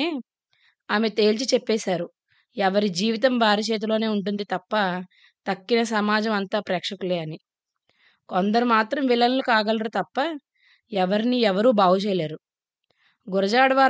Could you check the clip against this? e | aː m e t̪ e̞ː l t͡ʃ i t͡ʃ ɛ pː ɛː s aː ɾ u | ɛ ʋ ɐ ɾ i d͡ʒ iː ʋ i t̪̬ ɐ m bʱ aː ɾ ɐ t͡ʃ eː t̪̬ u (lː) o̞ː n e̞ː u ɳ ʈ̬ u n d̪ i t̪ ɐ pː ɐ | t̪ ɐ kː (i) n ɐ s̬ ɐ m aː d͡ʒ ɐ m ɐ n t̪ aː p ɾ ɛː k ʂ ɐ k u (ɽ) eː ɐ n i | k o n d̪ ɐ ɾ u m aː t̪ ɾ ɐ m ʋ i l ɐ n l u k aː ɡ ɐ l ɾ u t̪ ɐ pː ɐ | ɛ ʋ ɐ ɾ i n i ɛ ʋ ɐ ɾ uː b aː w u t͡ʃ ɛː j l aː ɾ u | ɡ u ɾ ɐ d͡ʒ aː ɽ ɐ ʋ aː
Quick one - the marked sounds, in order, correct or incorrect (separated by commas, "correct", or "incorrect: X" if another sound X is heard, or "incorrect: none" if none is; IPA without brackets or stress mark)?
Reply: incorrect: l, correct, incorrect: l